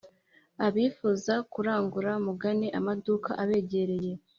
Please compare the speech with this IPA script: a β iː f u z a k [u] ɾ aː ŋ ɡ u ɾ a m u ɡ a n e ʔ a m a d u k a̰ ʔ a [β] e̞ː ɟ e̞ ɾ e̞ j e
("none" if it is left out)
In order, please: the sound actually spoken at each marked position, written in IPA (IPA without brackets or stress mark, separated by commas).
u, β